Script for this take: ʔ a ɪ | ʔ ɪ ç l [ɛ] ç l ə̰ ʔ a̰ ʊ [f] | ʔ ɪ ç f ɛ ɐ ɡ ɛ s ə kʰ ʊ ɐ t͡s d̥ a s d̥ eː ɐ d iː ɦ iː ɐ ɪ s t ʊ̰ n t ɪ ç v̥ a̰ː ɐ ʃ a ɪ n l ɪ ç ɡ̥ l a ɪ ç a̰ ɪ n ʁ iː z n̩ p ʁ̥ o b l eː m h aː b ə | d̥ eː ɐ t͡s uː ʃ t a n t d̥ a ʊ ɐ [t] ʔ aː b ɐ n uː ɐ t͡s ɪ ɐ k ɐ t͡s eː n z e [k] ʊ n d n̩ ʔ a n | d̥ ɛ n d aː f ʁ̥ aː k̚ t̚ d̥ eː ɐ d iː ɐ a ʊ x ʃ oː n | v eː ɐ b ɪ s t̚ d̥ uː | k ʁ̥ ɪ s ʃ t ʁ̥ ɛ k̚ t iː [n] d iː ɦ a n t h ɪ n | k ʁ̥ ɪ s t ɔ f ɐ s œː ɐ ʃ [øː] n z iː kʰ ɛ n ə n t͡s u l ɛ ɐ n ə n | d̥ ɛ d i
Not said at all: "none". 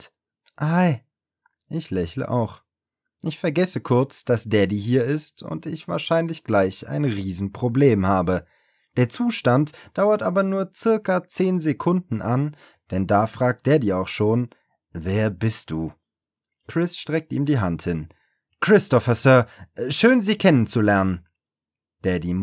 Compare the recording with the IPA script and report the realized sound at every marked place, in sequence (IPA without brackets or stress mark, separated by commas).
ɛ, x, t, kʰ, m, øː